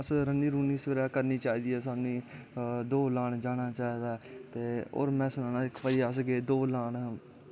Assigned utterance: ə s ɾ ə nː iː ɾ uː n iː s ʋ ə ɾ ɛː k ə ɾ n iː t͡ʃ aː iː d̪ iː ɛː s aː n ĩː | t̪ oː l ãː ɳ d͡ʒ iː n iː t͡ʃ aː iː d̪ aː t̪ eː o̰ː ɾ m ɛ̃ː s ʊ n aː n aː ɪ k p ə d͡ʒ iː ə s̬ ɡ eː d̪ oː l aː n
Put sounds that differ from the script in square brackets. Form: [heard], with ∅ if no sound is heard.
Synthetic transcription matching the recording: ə s ɾ ə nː iː ɾ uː n iː s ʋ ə ɾ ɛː k ə ɾ n iː t͡ʃ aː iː d̪ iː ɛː s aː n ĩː | [d̪] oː l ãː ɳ d͡ʒ [aː] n [aː] t͡ʃ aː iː d̪ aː t̪ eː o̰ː ɾ m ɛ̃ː s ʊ n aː n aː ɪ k p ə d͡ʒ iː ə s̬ ɡ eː d̪ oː l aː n